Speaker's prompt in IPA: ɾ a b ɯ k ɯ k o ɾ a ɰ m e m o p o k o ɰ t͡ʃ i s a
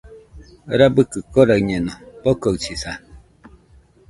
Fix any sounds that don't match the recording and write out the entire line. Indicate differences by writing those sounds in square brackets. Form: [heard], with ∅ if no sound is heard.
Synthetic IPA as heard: ɾ a b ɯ k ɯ k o ɾ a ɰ [ɲ] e [n] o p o k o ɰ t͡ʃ i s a